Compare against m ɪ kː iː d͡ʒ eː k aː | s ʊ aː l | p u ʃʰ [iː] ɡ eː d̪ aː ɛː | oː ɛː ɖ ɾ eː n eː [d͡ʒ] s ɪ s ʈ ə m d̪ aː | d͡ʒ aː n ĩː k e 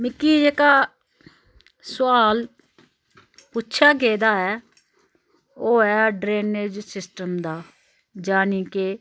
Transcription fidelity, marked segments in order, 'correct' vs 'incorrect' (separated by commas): incorrect, correct